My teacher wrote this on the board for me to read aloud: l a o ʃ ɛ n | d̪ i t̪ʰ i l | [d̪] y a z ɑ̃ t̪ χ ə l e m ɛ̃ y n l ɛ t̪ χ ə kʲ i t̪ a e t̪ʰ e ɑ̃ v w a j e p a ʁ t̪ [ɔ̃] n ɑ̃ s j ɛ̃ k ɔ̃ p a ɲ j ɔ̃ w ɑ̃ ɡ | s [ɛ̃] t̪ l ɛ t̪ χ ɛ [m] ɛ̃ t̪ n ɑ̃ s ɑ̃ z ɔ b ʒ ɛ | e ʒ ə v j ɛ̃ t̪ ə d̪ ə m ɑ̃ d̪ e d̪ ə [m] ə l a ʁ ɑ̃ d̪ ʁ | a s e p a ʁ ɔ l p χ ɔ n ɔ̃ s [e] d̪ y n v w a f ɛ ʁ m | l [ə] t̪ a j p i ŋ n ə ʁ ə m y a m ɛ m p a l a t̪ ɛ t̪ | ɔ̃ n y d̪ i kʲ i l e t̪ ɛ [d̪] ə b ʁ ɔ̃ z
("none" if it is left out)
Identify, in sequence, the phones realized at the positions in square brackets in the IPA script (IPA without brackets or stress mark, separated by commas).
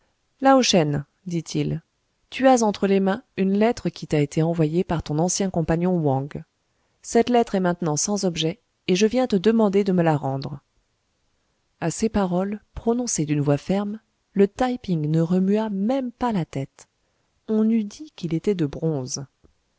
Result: t̪, ɔ̃, ɛ, m, m, e, ə, d̪